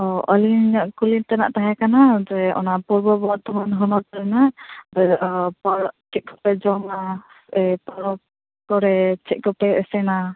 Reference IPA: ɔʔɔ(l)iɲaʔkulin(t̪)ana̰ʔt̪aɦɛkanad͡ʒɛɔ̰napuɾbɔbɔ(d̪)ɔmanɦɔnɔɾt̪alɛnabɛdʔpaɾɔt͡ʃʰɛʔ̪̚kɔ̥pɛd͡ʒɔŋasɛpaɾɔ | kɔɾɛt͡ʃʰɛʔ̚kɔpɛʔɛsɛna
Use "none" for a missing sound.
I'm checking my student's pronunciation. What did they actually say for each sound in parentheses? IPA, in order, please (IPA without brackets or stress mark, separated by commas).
l, t̪, t̪